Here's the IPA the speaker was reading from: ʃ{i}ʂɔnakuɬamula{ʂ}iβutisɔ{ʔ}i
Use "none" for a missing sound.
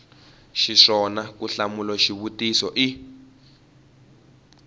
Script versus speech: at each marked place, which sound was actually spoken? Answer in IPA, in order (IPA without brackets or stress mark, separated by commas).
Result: i, ʃ, ʔ